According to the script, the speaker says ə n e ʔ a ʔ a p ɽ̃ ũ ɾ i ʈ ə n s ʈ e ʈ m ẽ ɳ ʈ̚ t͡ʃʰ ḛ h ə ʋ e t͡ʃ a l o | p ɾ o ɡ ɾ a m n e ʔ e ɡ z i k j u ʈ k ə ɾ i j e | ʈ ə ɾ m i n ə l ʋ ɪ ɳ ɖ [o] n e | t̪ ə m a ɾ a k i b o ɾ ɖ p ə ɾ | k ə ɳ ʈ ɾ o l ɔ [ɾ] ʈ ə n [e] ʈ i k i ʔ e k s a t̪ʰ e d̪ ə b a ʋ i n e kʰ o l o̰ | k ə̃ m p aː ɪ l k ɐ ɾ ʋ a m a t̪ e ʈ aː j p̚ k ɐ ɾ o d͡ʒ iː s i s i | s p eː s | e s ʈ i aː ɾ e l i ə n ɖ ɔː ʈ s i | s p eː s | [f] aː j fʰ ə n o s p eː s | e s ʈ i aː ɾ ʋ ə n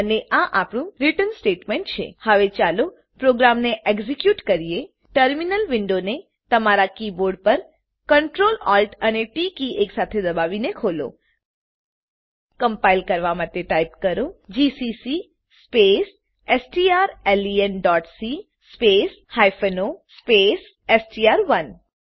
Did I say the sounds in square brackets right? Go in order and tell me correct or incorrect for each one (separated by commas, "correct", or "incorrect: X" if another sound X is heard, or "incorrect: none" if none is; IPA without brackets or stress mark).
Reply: correct, incorrect: l, correct, incorrect: h